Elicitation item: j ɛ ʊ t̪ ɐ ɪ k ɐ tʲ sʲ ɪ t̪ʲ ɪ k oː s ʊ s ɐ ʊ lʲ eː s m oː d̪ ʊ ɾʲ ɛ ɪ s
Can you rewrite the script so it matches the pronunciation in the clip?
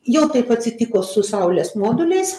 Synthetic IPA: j ɛ ʊ t̪ ɐ ɪ p ɐ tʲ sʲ ɪ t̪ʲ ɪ k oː s ʊ s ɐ ʊ lʲ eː s m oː d̪ ʊ lʲ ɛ ɪ s

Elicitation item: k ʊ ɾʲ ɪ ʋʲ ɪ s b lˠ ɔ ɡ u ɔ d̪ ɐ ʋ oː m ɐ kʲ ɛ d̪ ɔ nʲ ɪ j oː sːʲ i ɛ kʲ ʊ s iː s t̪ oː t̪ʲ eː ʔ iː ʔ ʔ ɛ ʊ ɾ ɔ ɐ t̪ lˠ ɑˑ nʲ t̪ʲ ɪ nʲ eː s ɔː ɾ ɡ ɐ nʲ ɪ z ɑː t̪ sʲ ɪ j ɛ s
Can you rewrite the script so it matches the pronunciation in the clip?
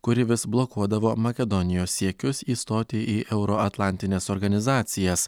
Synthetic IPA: k ʊ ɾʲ ɪ ʋʲ ɪ s b lˠ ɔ k u ɔ d̪ ɐ ʋ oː m ɐ kʲ ɛ d̪ ɔ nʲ ɪ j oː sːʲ i ɛ kʲ ʊ s iː s t̪ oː t̪ʲ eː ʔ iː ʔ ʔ ɛ ʊ ɾ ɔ ɐ t̪ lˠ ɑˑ nʲ t̪ʲ ɪ nʲ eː s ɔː ɾ ɡ ɐ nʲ ɪ z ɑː t̪ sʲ ɪ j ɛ s

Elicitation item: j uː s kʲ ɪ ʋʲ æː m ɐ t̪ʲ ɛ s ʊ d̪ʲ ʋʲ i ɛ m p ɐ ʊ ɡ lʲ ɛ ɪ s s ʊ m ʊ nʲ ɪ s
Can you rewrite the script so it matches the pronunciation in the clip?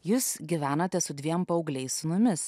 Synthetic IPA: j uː s ɡʲ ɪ ʋʲ æː n ɐ t̪ʲ ɛ s ʊ d̪ʲ ʋʲ i ɛ m p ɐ ʊ ɡ lʲ ɛ ɪ s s ʊ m ʊ mʲ ɪ s

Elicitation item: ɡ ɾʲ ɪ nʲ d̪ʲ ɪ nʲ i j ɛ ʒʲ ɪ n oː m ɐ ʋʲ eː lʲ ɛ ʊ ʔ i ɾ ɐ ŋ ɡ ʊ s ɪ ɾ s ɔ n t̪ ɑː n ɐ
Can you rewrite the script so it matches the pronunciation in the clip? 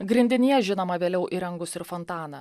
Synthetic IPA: ɡ ɾʲ ɪ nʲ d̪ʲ ɪ nʲ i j ɛ ʒʲ ɪ n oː m ɐ ʋʲ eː lʲ ɛ ʊ ʔ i ɾ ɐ ŋ ɡ ʊ s ɪ ɾ f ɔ n t̪ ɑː n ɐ

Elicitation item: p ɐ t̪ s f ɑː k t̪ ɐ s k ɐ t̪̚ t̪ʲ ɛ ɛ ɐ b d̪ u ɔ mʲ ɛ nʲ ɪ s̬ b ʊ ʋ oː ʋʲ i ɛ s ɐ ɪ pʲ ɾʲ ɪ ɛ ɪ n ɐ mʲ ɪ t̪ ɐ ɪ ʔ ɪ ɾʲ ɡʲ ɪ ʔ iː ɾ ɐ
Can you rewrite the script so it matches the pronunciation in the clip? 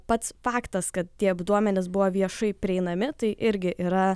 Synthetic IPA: p ɐ t̪ s f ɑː k t̪ ɐ s k ɐ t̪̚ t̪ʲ i ɛ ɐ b d̪ u ɔ mʲ ɛ nʲ ɪ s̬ b ʊ ʋ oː ʋʲ i ɛ ʃ ɐ ɪ pʲ ɾʲ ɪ ɛ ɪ n ɐ mʲ ɪ t̪ ɐ ɪ ʔ ɪ ɾʲ ɡʲ ɪ ʔ iː ɾ ɐ

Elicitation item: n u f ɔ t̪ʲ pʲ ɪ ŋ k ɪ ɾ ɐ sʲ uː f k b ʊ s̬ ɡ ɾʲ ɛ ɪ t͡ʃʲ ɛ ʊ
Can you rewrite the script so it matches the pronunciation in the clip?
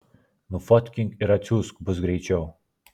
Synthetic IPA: n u f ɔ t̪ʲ kʲ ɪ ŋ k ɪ ɾ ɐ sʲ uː s k b ʊ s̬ ɡ ɾʲ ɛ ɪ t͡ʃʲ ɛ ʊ

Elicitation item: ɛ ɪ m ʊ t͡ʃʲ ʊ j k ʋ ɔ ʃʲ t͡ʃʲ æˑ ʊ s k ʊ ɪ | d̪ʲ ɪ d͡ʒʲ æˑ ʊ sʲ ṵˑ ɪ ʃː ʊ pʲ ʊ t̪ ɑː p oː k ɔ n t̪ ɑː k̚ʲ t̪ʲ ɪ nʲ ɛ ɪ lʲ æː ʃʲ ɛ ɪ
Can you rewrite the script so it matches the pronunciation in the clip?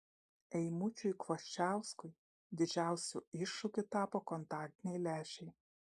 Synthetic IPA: ɛ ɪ m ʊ t͡ʃʲ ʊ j k ʋ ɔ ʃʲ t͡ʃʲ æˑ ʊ s k ʊ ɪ | d̪ʲ ɪ d͡ʒʲ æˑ ʊ sʲ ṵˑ ɪ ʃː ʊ kʲ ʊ t̪ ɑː p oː k ɔ n t̪ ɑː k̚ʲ t̪ʲ ɪ nʲ ɛ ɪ lʲ æː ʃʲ ɛ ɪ

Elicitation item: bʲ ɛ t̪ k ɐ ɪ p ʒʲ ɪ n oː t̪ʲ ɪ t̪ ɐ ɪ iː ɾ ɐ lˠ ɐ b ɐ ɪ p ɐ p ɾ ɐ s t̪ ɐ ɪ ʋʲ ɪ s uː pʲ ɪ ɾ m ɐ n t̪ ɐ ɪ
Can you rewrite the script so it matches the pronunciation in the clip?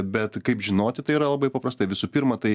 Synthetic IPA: bʲ ɛ t̪ k ɐ ɪ p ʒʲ ɪ n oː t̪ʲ ɪ t̪ ɐ ɪ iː ɾ ɐ lˠ ɐ b ɐ ɪ p ɐ p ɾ ɐ s t̪ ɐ ɪ ʋʲ ɪ s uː pʲ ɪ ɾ m ɐ t̪ ɐ ɪ

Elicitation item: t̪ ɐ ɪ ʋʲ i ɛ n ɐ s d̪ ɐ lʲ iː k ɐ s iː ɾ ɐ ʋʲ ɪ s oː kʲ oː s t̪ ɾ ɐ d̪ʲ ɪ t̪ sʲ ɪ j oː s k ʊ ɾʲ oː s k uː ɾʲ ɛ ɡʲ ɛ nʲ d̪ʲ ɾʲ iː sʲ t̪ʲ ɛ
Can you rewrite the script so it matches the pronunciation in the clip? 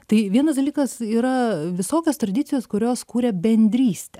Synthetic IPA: t̪ ɐ ɪ ʋʲ i ɛ n ɐ s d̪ ɐ lʲ iː k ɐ s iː ɾ ɐ ʋʲ ɪ s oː kʲ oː s t̪ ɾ ɐ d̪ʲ ɪ t̪ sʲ ɪ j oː s k ʊ ɾʲ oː s k uː ɾʲ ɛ bʲ ɛ nʲ d̪ʲ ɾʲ iː sʲ t̪ʲ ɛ

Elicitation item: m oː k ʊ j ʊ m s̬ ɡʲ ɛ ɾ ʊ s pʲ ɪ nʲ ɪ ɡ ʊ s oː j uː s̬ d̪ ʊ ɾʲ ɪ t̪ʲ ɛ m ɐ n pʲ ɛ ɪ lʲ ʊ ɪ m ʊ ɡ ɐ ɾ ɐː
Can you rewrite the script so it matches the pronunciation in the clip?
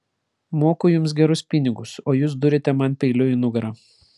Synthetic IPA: m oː k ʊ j ʊ m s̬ ɡʲ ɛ ɾ ʊ s pʲ ɪ nʲ ɪ ɡ ʊ s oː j uː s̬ d̪ ʊ ɾʲ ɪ t̪ʲ ɛ m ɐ n pʲ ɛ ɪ lʲ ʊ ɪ n ʊ ɡ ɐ ɾ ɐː

